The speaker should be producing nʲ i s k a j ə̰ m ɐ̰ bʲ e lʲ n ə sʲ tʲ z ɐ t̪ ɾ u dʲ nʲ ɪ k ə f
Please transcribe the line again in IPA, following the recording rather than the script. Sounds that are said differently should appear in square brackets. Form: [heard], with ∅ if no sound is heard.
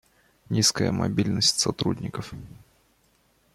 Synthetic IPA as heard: nʲ i s k [ə] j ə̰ m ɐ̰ bʲ [i] lʲ n ə sʲ tʲ [s] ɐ t̪ ɾ u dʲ nʲ ɪ k ə f

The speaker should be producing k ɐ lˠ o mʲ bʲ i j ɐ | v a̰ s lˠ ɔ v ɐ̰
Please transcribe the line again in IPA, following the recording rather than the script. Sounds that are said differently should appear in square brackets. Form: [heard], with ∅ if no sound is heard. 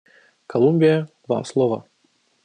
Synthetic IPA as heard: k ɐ lˠ [u] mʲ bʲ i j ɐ | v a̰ s lˠ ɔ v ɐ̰

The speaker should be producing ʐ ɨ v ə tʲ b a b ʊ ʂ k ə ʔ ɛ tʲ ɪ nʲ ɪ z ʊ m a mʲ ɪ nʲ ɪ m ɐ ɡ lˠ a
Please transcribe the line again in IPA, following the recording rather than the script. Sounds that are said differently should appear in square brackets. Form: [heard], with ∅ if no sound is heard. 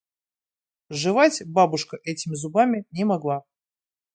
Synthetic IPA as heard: ʐ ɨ v [a] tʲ b a b ʊ ʂ k ə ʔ ɛ tʲ ɪ [mʲ] ɪ z ʊ [b] a mʲ ɪ nʲ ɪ m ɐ ɡ lˠ a

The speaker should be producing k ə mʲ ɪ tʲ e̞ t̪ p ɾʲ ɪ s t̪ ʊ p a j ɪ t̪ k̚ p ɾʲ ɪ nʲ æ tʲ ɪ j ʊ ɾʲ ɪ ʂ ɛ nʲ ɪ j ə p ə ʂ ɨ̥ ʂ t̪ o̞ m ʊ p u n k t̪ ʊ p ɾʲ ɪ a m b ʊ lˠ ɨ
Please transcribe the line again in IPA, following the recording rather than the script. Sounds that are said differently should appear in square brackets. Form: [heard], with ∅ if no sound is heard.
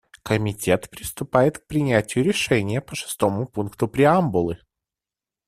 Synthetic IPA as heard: k ə mʲ ɪ tʲ e̞ t̪ p ɾʲ ɪ s t̪ ʊ p a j ɪ t̪ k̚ p ɾʲ ɪ nʲ æ tʲ ɪ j ʊ ɾʲ ɪ ʂ ɛ nʲ ɪ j ə p ə ʂ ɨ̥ [s] t̪ o̞ m ʊ p u n k t̪ ʊ p ɾʲ ɪ a m b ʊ lˠ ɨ

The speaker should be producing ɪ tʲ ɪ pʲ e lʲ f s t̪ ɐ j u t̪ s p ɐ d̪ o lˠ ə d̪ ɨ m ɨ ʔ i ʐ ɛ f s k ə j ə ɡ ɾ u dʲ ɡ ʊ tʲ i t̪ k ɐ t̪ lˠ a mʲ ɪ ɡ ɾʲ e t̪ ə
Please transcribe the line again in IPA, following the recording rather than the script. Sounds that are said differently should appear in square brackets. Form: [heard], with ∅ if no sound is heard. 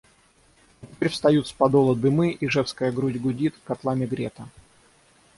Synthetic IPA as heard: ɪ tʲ ɪ pʲ e [ɾʲ] f s t̪ ɐ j u t̪ s p ɐ d̪ o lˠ ə d̪ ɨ m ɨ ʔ i ʐ ɛ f s k ə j ə ɡ ɾ u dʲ ɡ ʊ [dʲ] i t̪ k ɐ t̪ lˠ a mʲ ɪ ɡ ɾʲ e t̪ ə

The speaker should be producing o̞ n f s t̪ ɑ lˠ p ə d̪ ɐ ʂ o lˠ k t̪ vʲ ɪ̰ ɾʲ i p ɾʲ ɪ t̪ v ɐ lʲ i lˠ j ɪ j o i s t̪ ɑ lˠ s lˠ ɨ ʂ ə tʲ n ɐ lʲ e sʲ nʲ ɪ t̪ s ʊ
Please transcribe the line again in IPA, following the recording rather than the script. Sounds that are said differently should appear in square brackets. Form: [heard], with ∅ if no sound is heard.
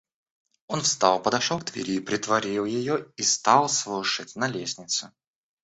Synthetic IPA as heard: o̞ n f s t̪ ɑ lˠ p ə d̪ ɐ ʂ o lˠ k t̪ vʲ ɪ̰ ɾʲ i p ɾʲ ɪ t̪ v ɐ [ɾʲ] i lˠ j ɪ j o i s t̪ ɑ lˠ s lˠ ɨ ʂ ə tʲ n ɐ lʲ e sʲ nʲ ɪ t̪ s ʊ

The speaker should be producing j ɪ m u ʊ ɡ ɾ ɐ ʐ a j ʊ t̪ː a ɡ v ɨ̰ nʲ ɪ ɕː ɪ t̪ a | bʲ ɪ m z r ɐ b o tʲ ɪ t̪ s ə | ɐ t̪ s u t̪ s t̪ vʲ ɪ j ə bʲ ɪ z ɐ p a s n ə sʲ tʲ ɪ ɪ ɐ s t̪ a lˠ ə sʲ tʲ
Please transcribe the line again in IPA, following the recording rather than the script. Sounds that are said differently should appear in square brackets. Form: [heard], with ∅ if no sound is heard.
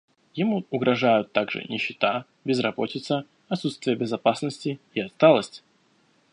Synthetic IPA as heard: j ɪ m u ʊ ɡ ɾ ɐ ʐ a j ʊ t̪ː a ɡ [ʐ] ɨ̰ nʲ ɪ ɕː ɪ t̪ a | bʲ ɪ [∅] z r ɐ b o tʲ ɪ t̪ s ə | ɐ t̪ s u t̪ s t̪ vʲ ɪ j ə bʲ ɪ z ɐ p a s n ə sʲ tʲ ɪ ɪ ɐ s t̪ a lˠ ə sʲ tʲ

